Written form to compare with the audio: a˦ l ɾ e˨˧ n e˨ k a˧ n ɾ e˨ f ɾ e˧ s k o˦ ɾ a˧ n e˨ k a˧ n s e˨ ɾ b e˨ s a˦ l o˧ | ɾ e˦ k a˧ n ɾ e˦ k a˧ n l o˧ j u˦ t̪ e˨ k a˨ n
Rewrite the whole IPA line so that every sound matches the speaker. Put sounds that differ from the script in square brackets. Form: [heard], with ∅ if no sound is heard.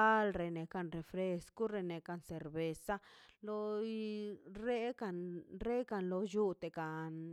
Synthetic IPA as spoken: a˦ l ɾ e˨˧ n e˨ k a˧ n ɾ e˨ f ɾ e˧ s k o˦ ɾ [e˧] n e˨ k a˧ n s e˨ ɾ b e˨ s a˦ l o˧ | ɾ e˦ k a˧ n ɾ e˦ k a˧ n l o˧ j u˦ t̪ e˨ k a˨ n